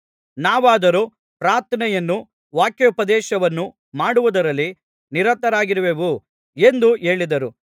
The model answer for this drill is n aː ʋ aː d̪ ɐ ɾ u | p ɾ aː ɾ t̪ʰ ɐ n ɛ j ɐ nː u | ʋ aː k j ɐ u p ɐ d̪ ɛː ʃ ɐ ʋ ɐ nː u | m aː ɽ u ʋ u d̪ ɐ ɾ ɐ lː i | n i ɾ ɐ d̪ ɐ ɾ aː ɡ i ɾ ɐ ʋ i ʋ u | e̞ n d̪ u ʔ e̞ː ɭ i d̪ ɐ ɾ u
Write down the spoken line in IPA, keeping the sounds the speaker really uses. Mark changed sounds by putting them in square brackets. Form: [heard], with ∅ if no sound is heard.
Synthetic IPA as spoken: n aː ʋ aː d̪ ɐ ɾ u | p ɾ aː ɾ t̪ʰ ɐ n ɛ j ɐ nː u | ʋ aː k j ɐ u p ɐ d̪ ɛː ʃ ɐ ʋ ɐ nː u | m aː ɽ u ʋ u d̪ ɐ ɾ ɐ lː i | n i ɾ ɐ [t̪] ɐ ɾ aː ɡ i ɾ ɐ ʋ [e] ʋ u | e̞ n d̪ u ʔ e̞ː ɭ i d̪ ɐ ɾ u